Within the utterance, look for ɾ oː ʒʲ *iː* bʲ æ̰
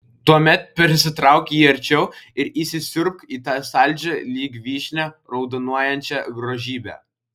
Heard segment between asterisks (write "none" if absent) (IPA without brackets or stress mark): iː